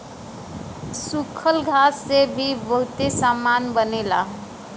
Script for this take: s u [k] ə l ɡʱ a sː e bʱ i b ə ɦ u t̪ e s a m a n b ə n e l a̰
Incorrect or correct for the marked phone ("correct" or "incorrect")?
incorrect